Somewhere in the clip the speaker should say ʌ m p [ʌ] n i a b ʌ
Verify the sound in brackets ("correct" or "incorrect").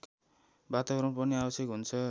correct